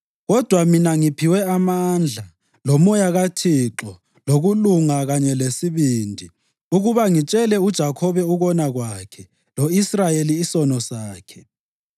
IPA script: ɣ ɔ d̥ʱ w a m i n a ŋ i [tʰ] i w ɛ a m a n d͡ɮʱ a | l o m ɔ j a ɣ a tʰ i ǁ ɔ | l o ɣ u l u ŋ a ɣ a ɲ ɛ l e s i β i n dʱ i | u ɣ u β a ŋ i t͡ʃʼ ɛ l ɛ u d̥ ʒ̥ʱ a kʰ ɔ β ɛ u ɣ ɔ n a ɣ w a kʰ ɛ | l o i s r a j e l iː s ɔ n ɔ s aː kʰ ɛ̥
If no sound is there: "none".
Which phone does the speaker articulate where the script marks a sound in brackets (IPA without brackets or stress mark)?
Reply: pʰ